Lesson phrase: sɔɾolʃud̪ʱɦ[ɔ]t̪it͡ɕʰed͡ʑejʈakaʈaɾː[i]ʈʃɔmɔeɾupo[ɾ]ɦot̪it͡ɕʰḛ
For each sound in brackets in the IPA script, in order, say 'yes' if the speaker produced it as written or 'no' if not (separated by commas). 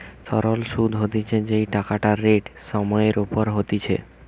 no, no, yes